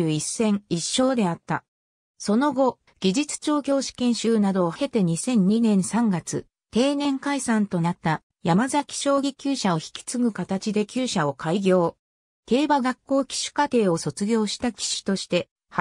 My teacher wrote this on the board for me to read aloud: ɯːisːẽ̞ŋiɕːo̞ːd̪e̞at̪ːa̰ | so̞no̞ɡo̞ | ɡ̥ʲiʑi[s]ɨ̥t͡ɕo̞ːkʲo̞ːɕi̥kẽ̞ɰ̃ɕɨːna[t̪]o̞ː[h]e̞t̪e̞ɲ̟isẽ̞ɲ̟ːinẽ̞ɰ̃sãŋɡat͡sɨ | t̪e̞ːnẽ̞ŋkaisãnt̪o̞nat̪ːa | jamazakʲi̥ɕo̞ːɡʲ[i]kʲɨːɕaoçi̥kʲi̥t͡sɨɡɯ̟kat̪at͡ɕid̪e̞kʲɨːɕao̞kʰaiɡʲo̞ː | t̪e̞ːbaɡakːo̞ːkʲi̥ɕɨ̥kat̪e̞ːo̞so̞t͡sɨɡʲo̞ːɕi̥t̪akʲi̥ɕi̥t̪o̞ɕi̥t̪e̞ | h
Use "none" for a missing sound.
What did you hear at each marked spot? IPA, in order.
t͡s, d̪, h, i

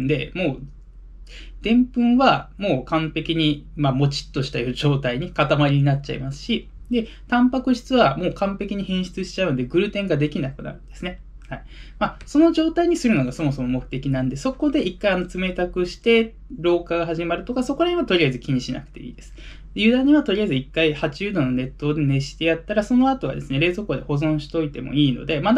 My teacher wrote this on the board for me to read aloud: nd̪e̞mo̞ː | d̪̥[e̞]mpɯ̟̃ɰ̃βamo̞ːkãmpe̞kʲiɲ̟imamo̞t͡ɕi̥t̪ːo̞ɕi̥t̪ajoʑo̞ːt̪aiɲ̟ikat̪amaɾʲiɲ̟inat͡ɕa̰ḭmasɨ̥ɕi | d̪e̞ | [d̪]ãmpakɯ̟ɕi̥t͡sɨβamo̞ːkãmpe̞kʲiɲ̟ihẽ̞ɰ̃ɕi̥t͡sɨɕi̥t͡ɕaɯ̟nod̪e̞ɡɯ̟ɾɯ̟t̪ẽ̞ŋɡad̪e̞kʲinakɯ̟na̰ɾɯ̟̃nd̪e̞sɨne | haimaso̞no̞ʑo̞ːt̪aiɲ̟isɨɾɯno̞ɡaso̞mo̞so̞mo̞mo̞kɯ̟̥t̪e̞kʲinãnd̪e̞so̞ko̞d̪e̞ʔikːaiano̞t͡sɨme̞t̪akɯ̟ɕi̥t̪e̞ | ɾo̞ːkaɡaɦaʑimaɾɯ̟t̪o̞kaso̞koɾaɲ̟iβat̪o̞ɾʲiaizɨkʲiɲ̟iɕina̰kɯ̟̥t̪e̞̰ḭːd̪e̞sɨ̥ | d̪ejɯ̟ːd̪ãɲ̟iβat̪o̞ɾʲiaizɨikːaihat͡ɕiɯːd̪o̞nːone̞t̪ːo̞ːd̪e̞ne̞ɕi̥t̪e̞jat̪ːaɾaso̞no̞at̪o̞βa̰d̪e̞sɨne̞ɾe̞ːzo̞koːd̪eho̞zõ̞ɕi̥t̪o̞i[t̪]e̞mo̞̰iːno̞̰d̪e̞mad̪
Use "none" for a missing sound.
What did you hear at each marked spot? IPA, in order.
ẽ̞, t̪, t̪

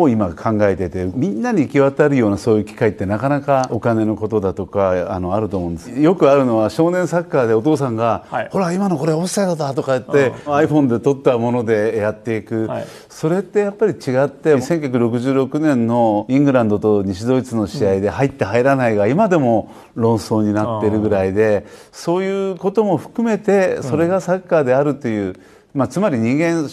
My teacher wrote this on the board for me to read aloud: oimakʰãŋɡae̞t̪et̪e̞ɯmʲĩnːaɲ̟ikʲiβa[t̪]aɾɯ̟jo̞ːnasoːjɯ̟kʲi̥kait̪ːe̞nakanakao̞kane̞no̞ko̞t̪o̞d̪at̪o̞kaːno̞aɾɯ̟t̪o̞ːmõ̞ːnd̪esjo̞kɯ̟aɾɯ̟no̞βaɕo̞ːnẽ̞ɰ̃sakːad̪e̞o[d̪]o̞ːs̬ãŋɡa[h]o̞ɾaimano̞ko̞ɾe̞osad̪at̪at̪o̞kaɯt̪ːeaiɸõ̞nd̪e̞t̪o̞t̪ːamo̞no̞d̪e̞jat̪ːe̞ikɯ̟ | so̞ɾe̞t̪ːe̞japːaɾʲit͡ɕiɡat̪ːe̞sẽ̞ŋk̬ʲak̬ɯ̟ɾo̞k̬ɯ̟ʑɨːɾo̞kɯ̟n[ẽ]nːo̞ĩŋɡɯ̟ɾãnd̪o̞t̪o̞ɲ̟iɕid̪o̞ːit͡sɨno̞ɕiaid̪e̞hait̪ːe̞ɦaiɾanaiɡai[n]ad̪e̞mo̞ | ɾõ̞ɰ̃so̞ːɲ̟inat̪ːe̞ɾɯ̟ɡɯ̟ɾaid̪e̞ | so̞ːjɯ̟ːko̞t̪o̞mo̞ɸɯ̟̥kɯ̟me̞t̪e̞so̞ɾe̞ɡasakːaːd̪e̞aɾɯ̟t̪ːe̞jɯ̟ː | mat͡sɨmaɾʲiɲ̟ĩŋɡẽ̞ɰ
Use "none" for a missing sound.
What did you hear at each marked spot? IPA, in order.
t̪, t̪, h, ẽ, m

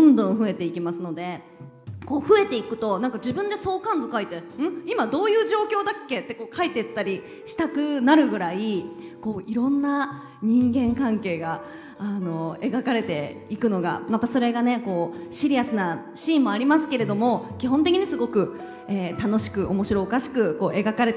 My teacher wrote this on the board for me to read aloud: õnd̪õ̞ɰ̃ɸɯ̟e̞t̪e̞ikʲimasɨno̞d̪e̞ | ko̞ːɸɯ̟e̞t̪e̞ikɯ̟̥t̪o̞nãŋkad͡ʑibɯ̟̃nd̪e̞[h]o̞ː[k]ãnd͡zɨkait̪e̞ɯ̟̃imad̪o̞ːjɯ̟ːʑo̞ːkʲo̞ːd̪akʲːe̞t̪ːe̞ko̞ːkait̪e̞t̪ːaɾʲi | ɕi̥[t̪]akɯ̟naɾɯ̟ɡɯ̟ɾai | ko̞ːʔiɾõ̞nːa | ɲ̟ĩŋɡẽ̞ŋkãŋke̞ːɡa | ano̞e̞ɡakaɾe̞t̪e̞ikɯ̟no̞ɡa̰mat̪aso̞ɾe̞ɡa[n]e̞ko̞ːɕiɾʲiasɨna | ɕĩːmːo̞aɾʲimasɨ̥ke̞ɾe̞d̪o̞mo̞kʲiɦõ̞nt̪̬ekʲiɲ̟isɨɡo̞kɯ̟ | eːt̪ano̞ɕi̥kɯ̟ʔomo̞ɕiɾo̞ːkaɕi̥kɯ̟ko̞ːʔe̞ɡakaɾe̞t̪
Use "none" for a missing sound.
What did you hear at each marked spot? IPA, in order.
s, k, t̪, n

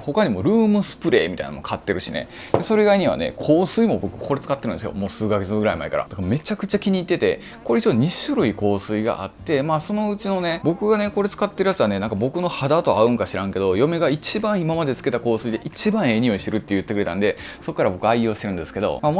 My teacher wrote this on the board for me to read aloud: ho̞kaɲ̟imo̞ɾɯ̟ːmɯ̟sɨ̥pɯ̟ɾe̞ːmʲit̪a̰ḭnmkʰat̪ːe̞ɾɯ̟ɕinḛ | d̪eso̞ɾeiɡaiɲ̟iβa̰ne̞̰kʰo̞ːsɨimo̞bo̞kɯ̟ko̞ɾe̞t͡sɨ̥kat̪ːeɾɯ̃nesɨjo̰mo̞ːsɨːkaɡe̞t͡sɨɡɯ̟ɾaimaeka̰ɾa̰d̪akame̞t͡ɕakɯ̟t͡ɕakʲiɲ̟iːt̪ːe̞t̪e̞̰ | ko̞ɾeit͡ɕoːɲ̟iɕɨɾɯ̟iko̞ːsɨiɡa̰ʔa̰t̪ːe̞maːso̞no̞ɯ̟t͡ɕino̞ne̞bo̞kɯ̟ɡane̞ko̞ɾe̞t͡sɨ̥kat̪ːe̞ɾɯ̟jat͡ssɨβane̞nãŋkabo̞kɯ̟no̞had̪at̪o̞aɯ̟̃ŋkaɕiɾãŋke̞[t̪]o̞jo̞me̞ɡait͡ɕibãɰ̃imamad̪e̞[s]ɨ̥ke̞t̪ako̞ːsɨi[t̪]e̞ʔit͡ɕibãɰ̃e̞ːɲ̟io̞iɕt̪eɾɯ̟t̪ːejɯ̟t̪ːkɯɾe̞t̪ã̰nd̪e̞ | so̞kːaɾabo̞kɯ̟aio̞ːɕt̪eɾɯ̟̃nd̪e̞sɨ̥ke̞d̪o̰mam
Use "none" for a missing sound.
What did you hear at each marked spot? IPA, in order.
d̪, t͡s, d̪

